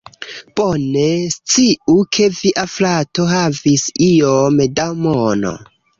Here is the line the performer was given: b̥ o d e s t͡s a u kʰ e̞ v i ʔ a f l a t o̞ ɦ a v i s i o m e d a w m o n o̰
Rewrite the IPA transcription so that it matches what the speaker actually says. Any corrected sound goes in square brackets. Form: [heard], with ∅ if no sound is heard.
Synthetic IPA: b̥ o [n] e s t͡s [i] u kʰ e̞ v i ʔ a f l a t o̞ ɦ a v i s i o m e d a w m o n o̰